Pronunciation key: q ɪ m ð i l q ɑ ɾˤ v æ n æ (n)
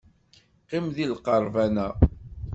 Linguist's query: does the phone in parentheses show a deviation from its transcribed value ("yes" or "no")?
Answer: yes